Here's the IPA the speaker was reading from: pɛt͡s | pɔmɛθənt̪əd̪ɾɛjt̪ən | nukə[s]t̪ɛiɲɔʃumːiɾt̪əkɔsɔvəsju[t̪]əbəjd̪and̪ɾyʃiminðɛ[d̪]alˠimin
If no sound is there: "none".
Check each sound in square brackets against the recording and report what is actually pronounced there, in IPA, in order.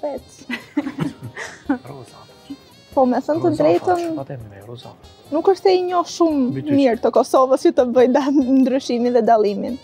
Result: ʃ, t̪, d̪

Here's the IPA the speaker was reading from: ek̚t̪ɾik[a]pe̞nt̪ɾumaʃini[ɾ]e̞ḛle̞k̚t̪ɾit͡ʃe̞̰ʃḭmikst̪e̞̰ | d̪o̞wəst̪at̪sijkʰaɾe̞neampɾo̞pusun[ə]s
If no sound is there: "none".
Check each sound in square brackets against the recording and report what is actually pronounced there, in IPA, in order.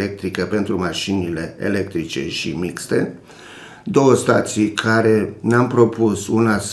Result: ə, l, a

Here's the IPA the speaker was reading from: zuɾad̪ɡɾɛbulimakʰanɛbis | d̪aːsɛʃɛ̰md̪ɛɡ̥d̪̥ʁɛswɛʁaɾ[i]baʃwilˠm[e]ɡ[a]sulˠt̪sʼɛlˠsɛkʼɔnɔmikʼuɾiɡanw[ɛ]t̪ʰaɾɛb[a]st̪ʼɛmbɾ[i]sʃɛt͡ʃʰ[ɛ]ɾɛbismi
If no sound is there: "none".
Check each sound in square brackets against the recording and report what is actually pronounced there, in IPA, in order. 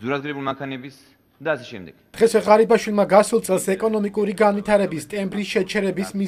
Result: i, a, a, i, i, i, ɛ

